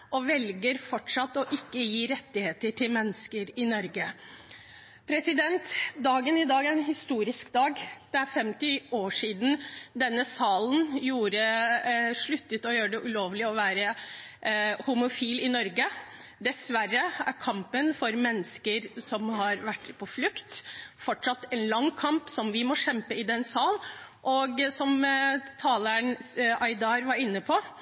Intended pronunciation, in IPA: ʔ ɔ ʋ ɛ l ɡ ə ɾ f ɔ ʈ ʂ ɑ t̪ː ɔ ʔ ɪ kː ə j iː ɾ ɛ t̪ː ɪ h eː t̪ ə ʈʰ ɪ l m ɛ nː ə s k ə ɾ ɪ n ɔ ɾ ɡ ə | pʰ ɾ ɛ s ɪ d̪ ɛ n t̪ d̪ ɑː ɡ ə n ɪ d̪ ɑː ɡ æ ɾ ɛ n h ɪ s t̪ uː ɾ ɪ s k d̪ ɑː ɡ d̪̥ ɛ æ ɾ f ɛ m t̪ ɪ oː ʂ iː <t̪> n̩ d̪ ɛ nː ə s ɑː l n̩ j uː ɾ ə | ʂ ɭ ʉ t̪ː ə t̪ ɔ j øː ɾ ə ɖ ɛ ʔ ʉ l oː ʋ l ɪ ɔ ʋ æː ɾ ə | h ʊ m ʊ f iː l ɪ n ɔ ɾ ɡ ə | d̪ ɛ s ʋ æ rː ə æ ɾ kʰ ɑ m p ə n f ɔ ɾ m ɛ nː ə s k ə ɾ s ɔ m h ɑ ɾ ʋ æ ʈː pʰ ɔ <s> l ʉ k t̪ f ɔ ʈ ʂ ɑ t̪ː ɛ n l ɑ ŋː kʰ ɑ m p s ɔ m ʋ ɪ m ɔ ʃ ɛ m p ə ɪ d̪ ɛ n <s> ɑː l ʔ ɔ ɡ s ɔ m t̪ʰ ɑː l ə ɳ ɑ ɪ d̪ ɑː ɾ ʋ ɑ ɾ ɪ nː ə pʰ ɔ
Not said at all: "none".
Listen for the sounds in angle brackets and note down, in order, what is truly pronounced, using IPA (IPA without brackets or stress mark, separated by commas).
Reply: d̪, f, s